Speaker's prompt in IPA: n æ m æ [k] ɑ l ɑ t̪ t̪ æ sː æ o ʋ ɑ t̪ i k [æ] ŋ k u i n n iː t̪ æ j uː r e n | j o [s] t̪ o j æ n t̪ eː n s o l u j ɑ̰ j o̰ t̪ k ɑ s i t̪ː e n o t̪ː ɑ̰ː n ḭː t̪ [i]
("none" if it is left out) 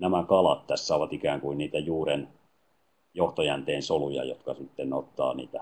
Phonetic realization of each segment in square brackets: k, æː, h, æ

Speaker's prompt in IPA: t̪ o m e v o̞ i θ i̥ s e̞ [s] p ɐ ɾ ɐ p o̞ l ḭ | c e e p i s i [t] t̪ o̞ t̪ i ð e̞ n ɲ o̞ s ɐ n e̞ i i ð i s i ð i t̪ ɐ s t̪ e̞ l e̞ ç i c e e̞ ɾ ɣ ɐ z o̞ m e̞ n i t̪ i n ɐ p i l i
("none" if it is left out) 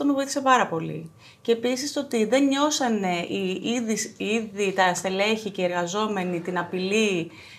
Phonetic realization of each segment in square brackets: none, s

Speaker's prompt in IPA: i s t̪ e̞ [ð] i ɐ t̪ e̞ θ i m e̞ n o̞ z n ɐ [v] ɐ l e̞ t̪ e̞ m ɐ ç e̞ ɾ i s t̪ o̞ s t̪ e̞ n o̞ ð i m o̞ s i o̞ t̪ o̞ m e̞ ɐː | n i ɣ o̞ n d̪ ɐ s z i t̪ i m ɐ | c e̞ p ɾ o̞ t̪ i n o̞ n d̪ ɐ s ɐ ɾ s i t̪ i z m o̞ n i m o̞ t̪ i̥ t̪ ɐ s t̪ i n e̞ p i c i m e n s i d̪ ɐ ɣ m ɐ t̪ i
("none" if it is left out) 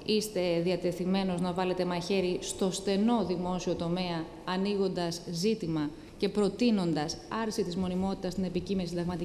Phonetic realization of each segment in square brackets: ð, v

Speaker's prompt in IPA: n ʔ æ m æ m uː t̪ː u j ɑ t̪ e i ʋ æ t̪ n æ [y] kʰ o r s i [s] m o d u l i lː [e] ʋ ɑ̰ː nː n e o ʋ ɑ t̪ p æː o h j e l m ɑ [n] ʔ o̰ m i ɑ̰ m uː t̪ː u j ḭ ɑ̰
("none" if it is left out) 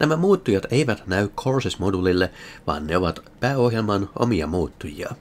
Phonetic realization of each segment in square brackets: y, s, e, n

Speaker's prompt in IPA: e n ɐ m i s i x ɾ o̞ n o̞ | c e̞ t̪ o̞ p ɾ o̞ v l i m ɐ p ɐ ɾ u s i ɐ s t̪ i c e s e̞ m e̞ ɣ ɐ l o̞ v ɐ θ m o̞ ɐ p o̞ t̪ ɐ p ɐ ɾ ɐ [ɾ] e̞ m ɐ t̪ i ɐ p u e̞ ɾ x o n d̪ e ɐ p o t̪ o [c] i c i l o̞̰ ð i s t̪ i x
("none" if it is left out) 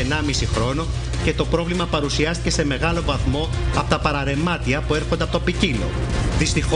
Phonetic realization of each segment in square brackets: ɾ, p

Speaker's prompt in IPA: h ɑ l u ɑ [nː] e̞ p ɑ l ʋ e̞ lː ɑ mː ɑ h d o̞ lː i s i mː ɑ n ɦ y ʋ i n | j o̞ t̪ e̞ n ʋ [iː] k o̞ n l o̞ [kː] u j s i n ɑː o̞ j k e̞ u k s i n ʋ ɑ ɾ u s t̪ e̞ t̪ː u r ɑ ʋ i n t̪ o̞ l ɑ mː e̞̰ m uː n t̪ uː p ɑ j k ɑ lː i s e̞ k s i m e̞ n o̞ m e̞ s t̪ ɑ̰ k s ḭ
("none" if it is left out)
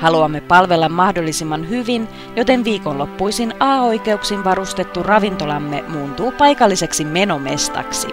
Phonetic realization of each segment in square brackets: mː, iː, pː

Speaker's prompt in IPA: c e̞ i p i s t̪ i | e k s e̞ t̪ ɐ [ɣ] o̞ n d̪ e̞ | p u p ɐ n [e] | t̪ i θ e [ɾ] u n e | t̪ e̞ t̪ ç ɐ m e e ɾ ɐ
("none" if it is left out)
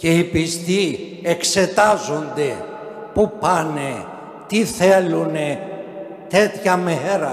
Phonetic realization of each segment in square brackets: z, e, l

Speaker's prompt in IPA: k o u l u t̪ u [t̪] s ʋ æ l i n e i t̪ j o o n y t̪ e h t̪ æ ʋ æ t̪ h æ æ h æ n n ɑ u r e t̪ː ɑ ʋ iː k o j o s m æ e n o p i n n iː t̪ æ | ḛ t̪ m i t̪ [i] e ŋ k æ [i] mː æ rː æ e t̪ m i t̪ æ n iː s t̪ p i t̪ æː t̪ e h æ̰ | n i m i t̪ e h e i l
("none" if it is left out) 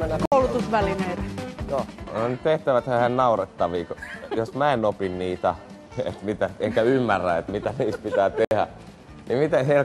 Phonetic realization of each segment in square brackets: none, æ, y

